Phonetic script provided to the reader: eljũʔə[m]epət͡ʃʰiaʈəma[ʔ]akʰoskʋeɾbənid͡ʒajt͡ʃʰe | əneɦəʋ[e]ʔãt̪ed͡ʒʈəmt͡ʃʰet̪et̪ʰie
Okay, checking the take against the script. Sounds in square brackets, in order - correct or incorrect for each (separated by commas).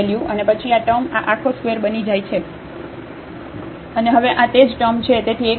incorrect, correct, correct